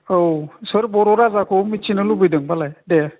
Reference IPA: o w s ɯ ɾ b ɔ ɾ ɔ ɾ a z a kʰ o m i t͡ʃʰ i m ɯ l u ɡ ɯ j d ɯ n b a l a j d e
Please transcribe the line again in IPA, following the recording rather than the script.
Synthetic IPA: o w s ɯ ɾ b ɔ ɾ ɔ ɾ a z a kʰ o m i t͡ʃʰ i n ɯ l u b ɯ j d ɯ ŋ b a l a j d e

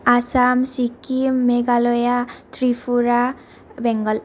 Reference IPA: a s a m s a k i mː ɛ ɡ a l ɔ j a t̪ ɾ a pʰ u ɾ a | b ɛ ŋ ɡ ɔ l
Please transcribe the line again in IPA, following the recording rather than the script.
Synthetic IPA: a s a m s i k i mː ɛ ɡ a l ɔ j a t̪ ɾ i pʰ u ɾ a | b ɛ ŋ ɡ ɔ l

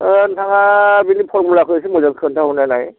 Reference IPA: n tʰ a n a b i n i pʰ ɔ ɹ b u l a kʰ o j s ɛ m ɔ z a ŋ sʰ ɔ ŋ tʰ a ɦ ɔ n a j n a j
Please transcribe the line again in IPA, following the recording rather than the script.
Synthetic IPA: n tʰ a ŋ a b i n i pʰ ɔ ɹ m u l a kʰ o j s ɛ m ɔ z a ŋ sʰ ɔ n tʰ a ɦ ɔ n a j n a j

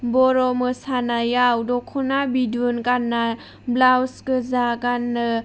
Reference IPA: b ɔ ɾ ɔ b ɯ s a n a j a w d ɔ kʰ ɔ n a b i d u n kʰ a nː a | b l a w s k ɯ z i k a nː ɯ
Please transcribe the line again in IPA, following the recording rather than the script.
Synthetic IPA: b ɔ ɾ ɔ m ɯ s a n a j a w d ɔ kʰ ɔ n a b i d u n k a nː a | b l a w s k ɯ z a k a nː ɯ

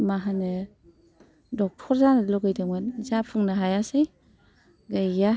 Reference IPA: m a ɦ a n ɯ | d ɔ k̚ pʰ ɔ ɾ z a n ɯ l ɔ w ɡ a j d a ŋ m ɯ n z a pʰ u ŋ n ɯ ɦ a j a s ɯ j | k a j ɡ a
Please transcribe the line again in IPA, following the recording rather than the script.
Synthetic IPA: m a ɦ a n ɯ | d ɔ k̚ tʰ ɔ ɾ z a n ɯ l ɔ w ɡ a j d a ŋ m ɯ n z a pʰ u ŋ n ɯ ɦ a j a s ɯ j | ɡ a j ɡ a

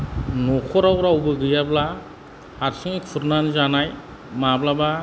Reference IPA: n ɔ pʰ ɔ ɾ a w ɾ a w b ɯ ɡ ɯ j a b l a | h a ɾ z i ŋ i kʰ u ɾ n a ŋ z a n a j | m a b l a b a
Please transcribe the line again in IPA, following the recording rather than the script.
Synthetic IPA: n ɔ kʰ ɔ ɾ a w ɾ a w b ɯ ɡ ɯ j a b l a | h a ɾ s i ŋ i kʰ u ɾ n a n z a n a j | m a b l a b a

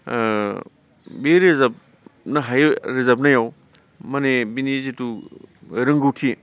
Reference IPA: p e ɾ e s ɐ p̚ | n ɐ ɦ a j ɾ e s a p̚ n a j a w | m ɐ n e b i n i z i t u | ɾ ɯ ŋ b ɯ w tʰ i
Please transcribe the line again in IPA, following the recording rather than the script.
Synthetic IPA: b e ɾ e z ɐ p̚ | n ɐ ɦ a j ɾ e z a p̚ n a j a w | m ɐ n e b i n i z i t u | ɾ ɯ ŋ ɡ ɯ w tʰ i

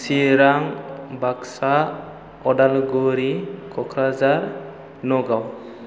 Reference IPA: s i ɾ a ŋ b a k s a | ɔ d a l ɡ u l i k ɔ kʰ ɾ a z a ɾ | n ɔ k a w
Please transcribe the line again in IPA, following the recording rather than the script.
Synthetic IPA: s i ɾ a ŋ b a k s a | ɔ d a l ɡ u ɾ i k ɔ kʰ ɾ a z a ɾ | n ɔ ɡ a w

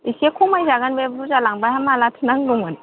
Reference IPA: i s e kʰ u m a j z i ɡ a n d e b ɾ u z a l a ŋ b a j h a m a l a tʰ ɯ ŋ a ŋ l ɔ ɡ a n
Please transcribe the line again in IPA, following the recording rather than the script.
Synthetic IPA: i s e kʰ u m a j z a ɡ a n b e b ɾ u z a l a ŋ b a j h a m a l a tʰ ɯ n a ŋ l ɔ ŋ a n

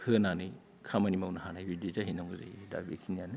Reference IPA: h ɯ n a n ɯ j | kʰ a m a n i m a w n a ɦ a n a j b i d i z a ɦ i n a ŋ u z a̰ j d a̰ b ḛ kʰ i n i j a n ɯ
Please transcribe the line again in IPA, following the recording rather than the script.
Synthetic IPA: h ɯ n a n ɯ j | kʰ a m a n i m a w n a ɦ a n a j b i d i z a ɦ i n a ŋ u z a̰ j d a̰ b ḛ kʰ i n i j a n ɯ

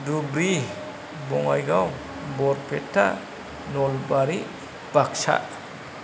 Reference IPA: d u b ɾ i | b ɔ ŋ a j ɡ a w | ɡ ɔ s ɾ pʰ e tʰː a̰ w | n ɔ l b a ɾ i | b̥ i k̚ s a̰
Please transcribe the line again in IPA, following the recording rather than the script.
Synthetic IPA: d u b ɾ i | b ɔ ŋ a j ɡ a w | b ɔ ɾ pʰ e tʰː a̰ | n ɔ l b a ɾ i | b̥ a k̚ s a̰

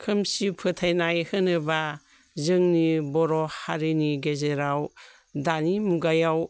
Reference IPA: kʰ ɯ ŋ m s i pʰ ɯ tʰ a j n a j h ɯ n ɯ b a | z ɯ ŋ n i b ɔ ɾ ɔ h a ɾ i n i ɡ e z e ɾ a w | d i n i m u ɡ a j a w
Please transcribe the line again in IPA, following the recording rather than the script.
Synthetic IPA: kʰ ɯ m s i pʰ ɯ tʰ a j n a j h ɯ n ɯ b a | z ɯ ŋ n i b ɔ ɾ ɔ h a ɾ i n i ɡ e z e ɾ a w | d a n i m u ɡ a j a w

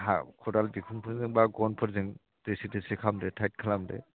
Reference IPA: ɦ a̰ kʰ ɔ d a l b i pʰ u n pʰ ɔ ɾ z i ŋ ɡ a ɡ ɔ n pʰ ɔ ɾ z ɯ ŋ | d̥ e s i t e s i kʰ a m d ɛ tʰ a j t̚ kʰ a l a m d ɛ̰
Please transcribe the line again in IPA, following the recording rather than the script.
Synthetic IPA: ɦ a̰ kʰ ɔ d a l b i kʰ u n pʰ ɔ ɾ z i ŋ b a ɡ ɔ n pʰ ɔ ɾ z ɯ ŋ | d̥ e s i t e s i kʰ a m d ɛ tʰ a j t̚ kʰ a l a m d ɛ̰

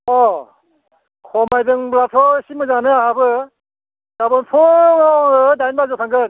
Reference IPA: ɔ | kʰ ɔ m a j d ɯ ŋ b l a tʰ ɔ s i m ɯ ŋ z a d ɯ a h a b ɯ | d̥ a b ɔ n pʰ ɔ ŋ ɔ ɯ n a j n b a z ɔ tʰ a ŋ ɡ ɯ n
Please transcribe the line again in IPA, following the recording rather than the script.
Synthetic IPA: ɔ | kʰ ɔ m a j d ɯ ŋ b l a tʰ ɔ s i m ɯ z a n ɯ a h a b ɯ | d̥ a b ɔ n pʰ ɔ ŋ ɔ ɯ d a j n b a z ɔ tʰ a ŋ ɡ ɯ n

